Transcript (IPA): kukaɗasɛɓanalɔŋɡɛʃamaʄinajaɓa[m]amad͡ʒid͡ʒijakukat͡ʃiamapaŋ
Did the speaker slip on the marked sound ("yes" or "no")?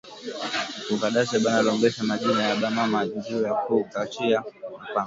no